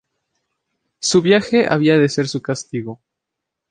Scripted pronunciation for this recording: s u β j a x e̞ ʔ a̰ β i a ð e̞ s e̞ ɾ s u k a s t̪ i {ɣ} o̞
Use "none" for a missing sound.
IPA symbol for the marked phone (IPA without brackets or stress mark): ɣ